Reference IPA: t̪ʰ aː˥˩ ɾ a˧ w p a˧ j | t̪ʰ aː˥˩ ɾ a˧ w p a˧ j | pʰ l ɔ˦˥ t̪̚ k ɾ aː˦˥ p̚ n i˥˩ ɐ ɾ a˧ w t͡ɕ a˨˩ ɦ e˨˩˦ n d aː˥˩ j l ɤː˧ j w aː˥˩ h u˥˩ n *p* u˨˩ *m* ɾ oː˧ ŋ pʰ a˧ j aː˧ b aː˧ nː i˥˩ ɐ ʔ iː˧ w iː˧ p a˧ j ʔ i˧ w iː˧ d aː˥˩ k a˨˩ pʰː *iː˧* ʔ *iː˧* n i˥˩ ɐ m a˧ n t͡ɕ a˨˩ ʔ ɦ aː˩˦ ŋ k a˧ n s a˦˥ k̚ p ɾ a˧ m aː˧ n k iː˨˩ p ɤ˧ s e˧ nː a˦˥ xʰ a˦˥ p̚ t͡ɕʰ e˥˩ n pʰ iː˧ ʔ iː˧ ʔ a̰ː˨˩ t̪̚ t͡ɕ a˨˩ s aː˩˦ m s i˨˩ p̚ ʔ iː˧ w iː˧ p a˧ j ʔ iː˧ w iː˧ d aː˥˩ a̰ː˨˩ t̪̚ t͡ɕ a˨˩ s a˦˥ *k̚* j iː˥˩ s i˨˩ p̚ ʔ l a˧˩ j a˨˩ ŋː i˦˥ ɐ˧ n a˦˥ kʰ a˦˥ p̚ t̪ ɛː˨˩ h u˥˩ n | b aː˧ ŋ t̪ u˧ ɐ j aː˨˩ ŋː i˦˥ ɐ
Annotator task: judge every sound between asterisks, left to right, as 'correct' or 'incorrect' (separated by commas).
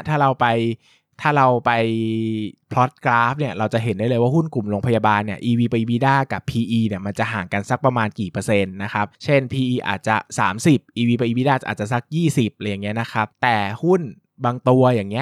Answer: incorrect, correct, correct, correct, correct